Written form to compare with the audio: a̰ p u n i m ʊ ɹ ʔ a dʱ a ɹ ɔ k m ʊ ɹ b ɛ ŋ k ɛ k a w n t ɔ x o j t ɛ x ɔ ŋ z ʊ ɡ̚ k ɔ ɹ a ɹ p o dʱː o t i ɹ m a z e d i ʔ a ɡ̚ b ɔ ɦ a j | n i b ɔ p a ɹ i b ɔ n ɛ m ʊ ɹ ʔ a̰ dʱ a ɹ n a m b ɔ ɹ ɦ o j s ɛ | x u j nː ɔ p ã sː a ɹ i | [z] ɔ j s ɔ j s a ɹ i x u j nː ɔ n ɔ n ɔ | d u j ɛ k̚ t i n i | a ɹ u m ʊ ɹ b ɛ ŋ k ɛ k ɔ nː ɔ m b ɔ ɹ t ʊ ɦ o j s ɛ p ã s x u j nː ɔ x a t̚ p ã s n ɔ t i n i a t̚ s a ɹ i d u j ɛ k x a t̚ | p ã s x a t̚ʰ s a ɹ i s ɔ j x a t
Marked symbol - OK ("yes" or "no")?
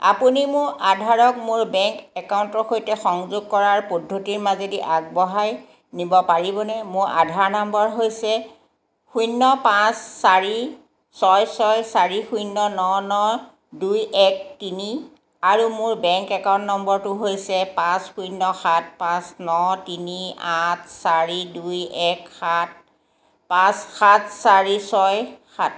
no